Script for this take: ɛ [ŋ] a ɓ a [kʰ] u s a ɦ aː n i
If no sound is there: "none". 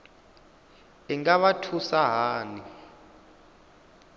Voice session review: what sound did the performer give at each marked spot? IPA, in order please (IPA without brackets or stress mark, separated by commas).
ŋ, tʰ